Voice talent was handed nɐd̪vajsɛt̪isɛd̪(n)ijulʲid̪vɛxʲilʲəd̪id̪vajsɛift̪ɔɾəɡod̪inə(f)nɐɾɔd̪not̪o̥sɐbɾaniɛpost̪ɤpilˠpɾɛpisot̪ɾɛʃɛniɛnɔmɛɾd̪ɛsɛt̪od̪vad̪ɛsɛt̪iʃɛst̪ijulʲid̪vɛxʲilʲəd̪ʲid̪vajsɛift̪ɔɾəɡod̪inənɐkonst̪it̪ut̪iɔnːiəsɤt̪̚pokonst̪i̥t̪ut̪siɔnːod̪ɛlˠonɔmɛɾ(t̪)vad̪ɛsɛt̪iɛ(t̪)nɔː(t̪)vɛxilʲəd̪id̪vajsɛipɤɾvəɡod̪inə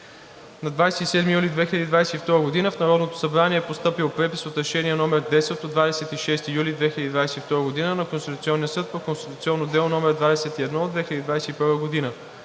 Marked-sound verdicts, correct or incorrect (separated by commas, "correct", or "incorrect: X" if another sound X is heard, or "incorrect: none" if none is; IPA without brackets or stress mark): incorrect: m, correct, incorrect: d̪, incorrect: d̪, incorrect: d̪